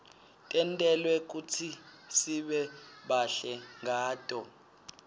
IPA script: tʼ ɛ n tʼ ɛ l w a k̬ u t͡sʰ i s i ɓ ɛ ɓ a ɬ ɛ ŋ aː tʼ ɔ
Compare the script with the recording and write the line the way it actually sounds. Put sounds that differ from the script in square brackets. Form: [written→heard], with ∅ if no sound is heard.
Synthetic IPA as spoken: tʼ ɛ n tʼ ɛ l w [a→ɛ] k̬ u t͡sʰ i s i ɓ ɛ ɓ a ɬ ɛ ŋ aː tʼ ɔ